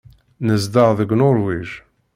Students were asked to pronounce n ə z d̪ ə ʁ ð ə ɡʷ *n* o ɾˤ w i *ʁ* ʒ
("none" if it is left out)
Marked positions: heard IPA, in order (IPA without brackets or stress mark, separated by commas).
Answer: n, none